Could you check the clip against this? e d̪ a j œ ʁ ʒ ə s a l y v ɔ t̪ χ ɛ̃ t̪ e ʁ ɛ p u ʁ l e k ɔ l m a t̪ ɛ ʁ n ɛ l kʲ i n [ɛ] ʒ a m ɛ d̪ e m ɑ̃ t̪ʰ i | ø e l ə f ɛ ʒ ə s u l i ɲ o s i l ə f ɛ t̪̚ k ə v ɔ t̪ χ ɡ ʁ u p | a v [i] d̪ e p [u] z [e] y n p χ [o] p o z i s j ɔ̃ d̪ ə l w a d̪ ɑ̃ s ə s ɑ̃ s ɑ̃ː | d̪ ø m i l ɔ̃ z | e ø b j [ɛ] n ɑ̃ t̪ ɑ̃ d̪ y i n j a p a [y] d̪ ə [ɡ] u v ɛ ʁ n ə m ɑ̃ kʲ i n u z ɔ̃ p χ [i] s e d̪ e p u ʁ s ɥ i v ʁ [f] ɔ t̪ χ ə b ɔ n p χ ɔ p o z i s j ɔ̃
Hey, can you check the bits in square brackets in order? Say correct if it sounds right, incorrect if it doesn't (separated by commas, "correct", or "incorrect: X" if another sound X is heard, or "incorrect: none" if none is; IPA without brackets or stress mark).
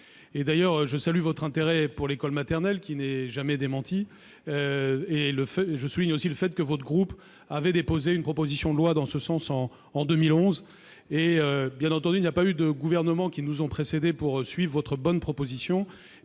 correct, incorrect: ɛ, incorrect: o, correct, incorrect: ɔ, incorrect: ɛ̃, correct, correct, incorrect: e, incorrect: v